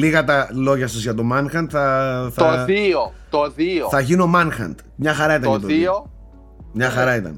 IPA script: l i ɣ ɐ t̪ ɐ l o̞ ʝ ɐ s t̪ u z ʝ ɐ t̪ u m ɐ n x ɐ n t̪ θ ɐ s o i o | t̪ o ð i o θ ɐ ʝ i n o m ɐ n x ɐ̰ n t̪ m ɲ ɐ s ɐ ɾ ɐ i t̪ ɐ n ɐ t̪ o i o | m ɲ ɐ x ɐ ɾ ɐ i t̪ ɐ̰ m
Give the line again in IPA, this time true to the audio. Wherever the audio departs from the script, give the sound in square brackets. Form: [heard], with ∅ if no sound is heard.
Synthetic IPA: l i ɣ ɐ t̪ ɐ l o̞ ʝ ɐ s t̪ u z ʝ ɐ t̪ [o] m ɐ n x ɐ n t̪ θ ɐ [θ] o i o | t̪ o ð i o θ ɐ ʝ i n o m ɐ n x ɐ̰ n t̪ m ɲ ɐ [x] ɐ ɾ ɐ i t̪ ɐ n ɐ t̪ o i o | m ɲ ɐ x ɐ ɾ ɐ i t̪ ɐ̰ [n]